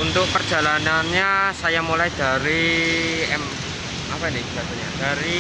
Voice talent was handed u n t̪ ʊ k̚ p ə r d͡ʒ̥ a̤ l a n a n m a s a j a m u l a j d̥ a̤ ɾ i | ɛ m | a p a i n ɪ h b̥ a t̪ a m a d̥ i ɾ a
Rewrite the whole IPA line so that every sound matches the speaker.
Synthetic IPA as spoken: u n t̪ ʊ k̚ p ə r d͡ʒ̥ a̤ l a n a n ɲ a s a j a m u l a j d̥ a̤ ɾ i | ɛ m | a p a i n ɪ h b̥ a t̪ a ɲ a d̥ a ɾ i